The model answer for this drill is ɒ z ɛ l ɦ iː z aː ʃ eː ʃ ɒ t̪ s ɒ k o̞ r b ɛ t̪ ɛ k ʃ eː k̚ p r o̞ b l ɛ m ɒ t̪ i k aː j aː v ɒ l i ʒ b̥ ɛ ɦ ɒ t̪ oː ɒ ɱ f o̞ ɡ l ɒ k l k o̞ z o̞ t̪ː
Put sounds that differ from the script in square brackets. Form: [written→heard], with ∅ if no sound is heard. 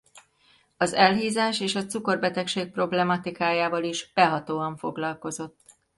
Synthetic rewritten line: ɒ z ɛ l ɦ iː z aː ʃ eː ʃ ɒ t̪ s [ɒ→u] k o̞ r b ɛ t̪ ɛ k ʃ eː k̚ p r o̞ b l ɛ m ɒ t̪ i k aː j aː v ɒ l i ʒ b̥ ɛ ɦ ɒ t̪ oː ɒ ɱ f o̞ ɡ l ɒ [k→∅] l k o̞ z o̞ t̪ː